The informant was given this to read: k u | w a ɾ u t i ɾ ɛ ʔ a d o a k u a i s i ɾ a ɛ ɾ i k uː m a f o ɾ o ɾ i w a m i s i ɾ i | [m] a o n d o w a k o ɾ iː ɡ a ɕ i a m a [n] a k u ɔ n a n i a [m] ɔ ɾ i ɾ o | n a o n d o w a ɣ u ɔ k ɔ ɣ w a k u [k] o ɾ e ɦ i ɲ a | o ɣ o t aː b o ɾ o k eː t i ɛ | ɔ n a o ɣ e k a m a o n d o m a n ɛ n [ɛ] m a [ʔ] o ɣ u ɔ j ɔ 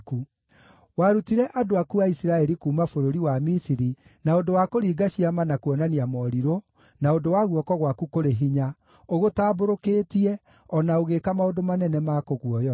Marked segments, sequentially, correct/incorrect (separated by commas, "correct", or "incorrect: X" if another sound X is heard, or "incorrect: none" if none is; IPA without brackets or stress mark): incorrect: n, correct, correct, correct, correct, incorrect: k